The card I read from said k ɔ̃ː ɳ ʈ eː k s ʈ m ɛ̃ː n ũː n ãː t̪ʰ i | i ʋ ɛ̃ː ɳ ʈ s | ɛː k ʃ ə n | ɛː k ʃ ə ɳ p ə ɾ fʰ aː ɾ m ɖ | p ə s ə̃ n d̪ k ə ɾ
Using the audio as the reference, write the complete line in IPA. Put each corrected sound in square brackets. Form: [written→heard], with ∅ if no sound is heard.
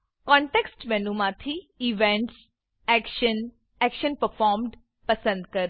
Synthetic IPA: k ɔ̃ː ɳ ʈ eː k s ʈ m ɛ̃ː n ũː [n→m] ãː t̪ʰ i | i ʋ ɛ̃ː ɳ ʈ s | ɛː k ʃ ə n | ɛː k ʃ ə [ɳ→n] p ə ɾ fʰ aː ɾ m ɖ | p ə s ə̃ n d̪ k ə ɾ